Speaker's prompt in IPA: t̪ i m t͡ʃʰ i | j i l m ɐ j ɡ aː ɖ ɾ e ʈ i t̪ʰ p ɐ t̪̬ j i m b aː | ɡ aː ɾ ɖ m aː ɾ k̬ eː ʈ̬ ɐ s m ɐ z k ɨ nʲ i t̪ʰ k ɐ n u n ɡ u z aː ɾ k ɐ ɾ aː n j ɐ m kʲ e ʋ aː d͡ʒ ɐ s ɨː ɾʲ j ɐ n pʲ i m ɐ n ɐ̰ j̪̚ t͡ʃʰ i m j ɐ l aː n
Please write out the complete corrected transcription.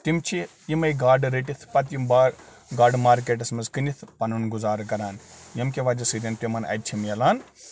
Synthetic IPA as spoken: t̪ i m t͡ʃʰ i | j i m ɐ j ɡ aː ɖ ɾ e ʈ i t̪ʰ p ɐ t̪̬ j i m b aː | ɡ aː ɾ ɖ m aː ɾ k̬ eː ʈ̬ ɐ s m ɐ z k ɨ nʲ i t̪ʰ p ɐ n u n ɡ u z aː ɾ k ɐ ɾ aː n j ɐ m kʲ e ʋ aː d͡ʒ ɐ s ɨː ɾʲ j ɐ n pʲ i m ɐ n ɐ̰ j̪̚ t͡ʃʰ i m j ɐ l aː n